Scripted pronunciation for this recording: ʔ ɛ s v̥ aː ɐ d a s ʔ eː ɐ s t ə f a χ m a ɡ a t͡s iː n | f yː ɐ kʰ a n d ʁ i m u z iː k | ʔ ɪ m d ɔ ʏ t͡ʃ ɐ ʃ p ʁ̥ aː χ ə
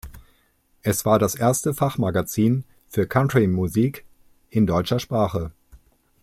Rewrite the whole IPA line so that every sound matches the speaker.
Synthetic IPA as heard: ʔ ɛ s v̥ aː ɐ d a s ʔ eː ɐ s t ə f a χ m a ɡ a t͡s iː n | f yː ɐ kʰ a n t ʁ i m u z iː k | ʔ ɪ n d ɔ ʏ t͡ʃ ɐ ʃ p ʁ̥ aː χ ə